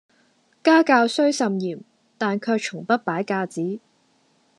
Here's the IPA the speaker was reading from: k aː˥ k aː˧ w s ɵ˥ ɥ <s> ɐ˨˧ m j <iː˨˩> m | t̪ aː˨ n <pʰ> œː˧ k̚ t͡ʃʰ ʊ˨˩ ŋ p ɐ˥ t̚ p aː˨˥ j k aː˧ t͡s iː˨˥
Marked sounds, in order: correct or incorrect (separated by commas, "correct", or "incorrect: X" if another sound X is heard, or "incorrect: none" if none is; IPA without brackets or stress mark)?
correct, correct, incorrect: kʰ